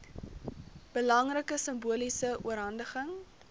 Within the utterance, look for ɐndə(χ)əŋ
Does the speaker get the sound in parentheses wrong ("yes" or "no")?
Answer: no